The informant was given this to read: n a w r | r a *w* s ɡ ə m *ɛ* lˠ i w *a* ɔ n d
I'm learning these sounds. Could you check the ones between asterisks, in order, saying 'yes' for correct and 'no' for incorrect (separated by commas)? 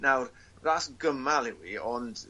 no, no, no